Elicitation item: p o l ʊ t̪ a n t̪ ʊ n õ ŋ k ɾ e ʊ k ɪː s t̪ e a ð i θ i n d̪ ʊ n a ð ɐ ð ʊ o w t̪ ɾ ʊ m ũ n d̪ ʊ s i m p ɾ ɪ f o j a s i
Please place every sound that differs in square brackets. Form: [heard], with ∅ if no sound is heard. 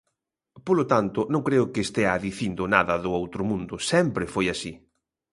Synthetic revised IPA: p o l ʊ t̪ a n t̪ ʊ n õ ŋ k ɾ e ʊ k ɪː s t̪ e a ð i θ i n d̪ ʊ n a ð ɐ ð ʊ o w t̪ ɾ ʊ m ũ n d̪ ʊ s [ɛ] m p ɾ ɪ f o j a s i